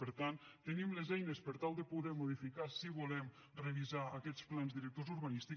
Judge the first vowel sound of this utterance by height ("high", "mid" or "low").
mid